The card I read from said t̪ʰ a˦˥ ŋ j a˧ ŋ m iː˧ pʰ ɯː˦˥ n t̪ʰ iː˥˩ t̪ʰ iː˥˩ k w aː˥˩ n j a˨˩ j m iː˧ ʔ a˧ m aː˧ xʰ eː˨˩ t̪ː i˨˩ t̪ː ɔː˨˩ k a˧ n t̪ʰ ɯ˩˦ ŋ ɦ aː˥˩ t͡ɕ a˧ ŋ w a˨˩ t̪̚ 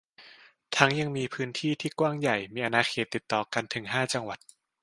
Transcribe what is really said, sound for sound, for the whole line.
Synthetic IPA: t̪ʰ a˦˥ ŋ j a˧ ŋ m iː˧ pʰ ɯː˦˥ n t̪ʰ iː˥˩ t̪ʰ iː˥˩ k w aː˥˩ ŋ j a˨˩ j m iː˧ ʔ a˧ n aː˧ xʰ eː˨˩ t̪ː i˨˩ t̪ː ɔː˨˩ k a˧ n t̪ʰ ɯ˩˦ ŋ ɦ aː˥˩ t͡ɕ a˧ ŋ w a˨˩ t̪̚